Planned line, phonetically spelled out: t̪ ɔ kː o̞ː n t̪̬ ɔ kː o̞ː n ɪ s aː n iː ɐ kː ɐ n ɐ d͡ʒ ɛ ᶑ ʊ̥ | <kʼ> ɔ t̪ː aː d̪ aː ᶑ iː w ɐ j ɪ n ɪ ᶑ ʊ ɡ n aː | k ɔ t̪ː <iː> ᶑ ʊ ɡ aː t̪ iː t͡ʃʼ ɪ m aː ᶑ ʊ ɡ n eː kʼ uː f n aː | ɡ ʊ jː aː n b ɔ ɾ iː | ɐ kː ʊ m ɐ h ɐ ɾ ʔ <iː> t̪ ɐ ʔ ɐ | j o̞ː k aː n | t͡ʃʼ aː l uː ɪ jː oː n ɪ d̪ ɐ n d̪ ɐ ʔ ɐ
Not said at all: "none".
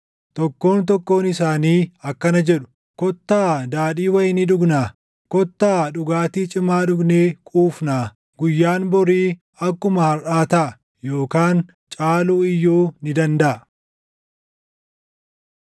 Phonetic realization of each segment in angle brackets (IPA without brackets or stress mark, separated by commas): k, aː, aː